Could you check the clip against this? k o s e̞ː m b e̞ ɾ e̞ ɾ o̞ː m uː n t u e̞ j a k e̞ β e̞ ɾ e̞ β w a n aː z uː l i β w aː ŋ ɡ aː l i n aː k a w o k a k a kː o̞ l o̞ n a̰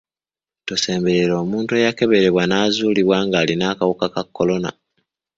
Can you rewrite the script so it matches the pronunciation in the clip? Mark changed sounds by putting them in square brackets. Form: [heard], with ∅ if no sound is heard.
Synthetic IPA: [t] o s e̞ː m b e̞ ɾ e̞ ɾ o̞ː m uː n t u e̞ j a k e̞ β e̞ ɾ e̞ β w a n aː z uː l i β w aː ŋ ɡ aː l i n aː k a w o k a k a kː o̞ l o̞ n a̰